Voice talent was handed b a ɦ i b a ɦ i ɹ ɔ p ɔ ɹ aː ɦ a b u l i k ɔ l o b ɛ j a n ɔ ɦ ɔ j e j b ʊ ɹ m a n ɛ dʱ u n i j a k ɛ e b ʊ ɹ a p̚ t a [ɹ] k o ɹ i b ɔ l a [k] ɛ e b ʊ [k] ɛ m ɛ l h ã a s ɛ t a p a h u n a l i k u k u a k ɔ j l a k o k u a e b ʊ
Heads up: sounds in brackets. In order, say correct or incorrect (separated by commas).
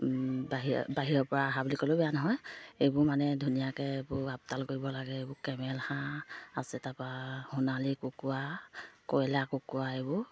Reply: incorrect, incorrect, correct